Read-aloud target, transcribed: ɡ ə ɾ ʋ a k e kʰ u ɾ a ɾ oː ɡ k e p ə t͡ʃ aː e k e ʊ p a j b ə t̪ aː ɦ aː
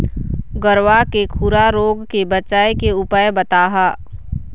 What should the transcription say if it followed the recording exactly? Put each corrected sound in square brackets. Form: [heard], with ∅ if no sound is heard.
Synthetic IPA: ɡ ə ɾ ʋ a k e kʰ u ɾ a ɾ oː ɡ k e [b] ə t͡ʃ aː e k e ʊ p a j b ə t̪ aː ɦ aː